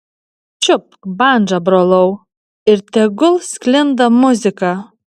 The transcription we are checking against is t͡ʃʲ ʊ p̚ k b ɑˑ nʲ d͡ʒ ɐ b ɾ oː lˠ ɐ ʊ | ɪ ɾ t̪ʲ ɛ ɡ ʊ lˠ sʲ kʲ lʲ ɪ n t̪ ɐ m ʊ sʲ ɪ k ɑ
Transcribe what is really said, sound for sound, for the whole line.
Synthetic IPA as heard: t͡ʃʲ ʊ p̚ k b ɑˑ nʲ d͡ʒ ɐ b ɾ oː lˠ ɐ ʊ | ɪ ɾ t̪ʲ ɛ ɡ ʊ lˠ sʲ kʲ lʲ ɪ n d̪ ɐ m ʊ zʲ ɪ k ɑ